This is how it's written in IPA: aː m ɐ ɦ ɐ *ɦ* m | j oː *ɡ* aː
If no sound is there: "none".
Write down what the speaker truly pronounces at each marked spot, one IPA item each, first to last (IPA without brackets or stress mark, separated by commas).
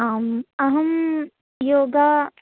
none, ɡ